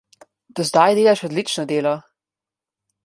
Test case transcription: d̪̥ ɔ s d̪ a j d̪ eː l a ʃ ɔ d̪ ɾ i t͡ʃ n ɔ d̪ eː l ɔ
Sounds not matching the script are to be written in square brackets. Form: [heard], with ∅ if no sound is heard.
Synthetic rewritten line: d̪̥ ɔ [z] d̪ a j d̪ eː l a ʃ ɔ d̪ [l] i t͡ʃ n ɔ d̪ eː l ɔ

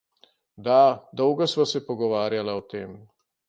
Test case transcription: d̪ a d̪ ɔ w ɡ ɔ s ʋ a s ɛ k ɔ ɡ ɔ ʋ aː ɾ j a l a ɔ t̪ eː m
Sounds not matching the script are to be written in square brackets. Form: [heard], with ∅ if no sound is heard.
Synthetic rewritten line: d̪ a d̪ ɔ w ɡ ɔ s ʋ a s ɛ [p] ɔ ɡ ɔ ʋ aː ɾ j a l a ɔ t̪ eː m

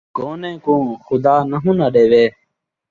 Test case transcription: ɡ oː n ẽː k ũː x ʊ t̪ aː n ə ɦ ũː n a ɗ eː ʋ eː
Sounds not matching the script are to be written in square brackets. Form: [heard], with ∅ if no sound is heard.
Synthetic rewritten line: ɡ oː n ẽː k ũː x ʊ [d̪] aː n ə ɦ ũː n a ɗ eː ʋ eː

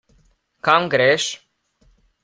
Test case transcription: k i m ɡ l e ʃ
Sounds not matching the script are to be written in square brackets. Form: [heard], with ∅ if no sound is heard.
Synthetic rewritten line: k [a] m ɡ [ɾ] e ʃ

